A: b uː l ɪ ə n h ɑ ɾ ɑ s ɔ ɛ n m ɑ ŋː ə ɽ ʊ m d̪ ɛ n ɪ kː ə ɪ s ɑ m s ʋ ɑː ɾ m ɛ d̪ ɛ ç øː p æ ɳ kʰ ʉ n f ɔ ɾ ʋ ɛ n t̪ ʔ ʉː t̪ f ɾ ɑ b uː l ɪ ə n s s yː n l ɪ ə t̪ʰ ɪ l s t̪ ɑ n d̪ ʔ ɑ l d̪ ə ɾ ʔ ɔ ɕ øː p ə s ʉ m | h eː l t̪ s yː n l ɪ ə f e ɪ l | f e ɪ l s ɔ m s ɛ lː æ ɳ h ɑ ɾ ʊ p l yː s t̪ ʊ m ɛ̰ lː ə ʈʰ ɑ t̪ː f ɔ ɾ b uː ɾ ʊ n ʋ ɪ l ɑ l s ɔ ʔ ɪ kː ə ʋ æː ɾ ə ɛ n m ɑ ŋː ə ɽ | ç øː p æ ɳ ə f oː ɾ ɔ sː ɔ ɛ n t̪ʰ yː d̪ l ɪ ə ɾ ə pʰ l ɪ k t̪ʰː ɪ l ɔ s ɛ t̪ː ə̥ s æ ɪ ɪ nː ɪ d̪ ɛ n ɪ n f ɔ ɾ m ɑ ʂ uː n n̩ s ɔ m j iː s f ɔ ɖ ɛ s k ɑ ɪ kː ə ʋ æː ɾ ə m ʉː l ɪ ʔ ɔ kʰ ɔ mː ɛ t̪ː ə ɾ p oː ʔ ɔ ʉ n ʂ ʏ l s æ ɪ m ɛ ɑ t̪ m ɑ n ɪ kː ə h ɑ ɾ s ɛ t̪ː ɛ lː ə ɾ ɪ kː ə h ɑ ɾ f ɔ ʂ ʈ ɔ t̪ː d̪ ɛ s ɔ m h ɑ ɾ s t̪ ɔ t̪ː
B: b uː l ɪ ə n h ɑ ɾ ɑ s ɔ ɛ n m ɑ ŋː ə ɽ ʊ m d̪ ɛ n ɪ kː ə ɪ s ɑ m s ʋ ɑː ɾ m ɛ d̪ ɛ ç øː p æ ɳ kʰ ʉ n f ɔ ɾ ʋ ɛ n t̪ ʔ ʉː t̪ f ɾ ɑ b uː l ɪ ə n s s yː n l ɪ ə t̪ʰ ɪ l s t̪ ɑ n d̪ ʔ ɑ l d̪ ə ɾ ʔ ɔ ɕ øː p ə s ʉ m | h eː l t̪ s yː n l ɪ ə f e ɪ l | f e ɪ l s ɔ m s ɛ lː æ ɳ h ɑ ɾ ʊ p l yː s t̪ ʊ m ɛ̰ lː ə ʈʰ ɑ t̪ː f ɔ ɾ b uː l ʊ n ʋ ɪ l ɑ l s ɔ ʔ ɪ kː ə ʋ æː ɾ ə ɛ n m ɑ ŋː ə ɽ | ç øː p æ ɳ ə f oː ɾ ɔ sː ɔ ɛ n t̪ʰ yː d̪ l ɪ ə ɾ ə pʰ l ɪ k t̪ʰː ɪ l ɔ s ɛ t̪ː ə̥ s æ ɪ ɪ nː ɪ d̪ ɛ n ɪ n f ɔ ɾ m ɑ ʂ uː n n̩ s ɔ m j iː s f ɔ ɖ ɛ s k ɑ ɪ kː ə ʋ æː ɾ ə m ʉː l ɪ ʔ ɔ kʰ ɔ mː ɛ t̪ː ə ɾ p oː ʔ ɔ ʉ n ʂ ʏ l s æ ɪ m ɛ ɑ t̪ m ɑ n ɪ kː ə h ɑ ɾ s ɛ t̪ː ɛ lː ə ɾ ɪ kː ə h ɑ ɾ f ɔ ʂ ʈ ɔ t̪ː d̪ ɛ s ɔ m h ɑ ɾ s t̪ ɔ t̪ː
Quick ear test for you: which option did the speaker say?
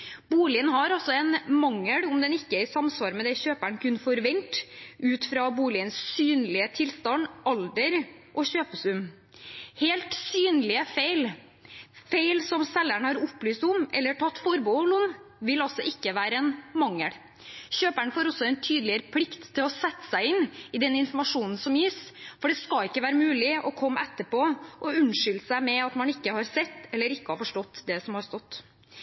B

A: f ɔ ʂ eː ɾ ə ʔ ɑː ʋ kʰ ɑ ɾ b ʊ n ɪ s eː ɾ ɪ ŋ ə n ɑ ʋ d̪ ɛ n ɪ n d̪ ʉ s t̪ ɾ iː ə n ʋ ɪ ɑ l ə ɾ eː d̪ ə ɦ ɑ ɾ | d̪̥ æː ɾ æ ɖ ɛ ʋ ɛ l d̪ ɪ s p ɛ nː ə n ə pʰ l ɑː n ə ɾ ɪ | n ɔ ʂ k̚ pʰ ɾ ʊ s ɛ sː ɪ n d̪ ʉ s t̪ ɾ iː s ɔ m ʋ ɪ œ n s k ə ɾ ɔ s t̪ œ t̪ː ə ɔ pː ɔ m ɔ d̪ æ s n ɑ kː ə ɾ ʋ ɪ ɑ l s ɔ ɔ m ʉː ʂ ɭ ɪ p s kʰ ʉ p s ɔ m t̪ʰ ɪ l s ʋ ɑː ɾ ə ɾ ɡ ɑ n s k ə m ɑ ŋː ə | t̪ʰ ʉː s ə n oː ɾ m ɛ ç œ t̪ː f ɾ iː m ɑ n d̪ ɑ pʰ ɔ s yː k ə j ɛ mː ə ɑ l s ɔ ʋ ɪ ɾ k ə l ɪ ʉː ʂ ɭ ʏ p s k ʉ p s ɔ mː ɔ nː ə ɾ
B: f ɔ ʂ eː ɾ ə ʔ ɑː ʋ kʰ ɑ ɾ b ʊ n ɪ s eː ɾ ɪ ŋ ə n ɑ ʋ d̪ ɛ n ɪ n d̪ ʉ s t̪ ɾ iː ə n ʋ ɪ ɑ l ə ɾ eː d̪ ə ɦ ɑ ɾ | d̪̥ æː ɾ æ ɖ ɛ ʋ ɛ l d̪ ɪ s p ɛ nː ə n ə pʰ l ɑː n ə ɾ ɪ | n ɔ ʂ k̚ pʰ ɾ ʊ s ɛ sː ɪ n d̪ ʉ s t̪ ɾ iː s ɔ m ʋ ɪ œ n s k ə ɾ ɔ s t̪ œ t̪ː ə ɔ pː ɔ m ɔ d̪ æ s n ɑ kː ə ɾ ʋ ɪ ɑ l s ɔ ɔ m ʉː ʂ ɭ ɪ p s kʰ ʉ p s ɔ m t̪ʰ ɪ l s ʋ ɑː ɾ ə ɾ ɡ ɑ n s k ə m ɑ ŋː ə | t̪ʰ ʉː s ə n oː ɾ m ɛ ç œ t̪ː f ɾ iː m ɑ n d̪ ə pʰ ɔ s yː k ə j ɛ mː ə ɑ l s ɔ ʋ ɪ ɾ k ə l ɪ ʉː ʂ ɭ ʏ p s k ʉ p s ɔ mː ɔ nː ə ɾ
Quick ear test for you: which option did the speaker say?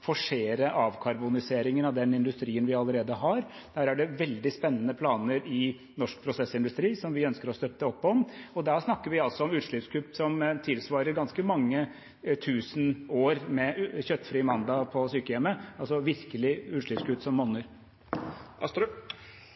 A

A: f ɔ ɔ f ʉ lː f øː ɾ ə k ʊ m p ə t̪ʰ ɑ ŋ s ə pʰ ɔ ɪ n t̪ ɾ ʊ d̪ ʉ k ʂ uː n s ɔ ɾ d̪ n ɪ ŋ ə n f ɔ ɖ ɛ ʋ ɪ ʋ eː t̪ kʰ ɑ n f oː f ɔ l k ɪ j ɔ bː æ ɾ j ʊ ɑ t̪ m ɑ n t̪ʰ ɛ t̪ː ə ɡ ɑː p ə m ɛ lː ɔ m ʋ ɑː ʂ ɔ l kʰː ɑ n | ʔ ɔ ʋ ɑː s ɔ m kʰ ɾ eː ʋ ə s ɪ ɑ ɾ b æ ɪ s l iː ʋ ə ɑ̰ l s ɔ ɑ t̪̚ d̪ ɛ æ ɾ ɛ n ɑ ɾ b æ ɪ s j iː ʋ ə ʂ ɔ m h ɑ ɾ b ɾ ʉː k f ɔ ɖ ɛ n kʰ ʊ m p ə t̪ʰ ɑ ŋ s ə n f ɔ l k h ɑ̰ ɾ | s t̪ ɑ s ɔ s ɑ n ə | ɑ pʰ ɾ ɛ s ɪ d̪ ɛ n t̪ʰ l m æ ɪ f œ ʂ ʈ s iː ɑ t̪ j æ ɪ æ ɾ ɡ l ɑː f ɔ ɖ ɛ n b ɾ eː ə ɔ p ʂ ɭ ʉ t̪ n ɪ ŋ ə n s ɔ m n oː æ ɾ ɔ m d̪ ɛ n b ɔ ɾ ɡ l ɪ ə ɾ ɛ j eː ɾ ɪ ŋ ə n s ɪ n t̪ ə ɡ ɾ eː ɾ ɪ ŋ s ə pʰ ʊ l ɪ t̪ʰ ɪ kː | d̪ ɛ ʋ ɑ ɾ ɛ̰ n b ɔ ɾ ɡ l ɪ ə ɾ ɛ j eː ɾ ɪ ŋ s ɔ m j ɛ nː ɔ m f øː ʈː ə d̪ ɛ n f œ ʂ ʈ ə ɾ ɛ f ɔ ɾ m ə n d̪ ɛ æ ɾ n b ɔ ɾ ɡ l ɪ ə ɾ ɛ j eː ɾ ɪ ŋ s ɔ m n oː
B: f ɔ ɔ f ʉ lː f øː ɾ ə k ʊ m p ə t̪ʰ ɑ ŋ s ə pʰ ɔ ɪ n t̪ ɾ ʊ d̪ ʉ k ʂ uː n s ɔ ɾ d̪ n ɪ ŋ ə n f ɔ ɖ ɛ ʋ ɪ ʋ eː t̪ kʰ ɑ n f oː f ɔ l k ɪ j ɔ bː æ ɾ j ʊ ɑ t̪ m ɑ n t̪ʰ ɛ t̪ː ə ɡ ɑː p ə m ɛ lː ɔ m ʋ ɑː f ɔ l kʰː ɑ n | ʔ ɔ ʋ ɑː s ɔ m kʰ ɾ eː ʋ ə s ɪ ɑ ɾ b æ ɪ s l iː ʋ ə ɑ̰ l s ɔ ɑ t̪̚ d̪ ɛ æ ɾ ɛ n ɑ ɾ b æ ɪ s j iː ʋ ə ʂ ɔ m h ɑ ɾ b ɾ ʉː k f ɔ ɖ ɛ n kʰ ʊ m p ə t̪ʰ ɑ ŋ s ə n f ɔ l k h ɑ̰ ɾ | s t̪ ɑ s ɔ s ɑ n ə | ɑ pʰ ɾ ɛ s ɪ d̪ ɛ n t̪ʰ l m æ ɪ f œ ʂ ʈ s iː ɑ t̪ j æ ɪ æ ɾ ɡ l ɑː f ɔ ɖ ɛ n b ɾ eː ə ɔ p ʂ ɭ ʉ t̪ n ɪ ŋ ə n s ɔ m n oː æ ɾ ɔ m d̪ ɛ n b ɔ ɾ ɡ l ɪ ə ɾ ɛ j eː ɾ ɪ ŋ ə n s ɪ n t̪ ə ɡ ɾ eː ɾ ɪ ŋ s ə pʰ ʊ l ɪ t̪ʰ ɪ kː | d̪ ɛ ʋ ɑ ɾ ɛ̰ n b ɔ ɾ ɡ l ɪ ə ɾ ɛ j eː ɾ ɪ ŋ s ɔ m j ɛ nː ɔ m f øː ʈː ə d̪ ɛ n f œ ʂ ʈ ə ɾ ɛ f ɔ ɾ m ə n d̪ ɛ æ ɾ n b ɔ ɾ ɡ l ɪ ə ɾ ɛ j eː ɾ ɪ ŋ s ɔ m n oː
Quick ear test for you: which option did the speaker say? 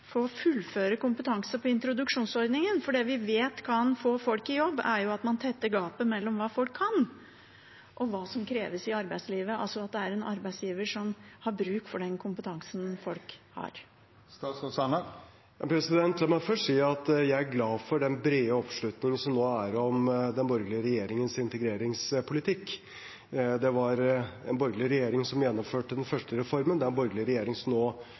B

